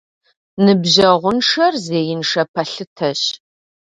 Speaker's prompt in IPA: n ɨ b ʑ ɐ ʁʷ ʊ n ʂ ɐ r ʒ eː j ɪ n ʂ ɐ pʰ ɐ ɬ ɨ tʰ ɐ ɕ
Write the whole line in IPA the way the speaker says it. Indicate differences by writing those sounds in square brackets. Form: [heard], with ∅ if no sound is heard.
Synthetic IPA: n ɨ b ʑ ɐ ʁʷ ʊ n ʂ ɐ r [z] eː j ɪ n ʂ ɐ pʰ ɐ ɬ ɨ tʰ ɐ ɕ